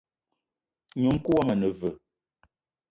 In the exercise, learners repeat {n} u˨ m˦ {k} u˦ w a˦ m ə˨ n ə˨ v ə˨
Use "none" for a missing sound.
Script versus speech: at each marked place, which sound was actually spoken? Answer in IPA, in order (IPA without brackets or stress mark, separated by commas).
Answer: ɲ, k